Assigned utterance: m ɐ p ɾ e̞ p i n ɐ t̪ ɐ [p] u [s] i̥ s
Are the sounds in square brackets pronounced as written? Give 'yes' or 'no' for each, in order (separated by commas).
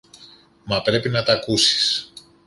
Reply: no, yes